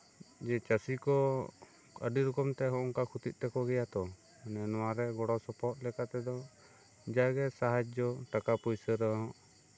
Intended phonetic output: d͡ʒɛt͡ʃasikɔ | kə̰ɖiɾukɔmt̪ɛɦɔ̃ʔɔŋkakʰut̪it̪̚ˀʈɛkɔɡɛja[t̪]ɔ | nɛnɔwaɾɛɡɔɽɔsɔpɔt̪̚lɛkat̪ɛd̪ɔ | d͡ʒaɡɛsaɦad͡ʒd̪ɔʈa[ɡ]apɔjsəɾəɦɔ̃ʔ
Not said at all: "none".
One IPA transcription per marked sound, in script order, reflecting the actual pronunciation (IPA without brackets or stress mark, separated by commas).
t̪, k